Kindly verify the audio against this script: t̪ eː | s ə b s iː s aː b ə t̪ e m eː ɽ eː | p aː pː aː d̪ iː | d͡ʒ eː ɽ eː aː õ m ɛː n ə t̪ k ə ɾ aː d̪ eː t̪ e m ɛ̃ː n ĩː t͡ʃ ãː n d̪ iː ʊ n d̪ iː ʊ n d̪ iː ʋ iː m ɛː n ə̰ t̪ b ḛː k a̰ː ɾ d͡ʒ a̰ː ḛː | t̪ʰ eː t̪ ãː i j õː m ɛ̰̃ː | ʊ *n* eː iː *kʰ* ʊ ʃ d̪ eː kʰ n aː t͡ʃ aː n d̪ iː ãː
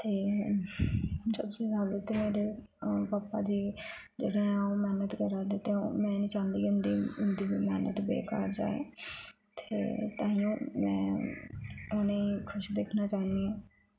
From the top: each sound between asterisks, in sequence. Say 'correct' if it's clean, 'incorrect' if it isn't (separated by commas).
correct, correct